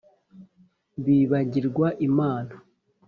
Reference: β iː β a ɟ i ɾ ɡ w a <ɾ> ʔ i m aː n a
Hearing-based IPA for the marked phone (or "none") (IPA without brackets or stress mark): none